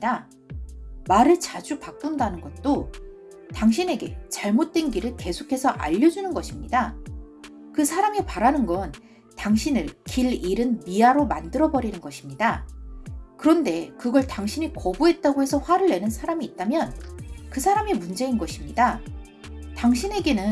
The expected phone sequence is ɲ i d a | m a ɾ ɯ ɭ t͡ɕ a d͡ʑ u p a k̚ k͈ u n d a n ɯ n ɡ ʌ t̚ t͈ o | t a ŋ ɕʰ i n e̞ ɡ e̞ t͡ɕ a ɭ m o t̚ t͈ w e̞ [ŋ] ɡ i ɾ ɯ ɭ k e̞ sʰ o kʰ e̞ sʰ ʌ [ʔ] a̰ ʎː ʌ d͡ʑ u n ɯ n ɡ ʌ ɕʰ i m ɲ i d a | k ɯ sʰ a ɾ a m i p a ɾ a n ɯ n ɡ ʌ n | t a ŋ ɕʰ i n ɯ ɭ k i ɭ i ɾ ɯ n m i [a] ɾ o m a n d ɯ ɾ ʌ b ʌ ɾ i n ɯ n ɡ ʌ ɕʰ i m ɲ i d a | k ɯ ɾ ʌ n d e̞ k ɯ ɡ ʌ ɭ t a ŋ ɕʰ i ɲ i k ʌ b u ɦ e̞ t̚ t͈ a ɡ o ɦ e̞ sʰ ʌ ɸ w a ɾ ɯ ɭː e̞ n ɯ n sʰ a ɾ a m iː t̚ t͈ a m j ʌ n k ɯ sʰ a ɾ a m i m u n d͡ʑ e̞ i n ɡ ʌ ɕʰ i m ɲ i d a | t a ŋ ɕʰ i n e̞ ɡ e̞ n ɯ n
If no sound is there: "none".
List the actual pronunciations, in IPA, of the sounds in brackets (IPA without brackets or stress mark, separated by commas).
n, ʔ, a